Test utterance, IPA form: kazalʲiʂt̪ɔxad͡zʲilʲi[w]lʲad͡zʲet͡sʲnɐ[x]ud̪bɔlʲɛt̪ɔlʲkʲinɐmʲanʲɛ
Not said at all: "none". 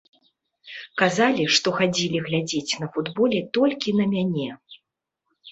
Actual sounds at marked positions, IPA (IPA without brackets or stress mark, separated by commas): ɣ, f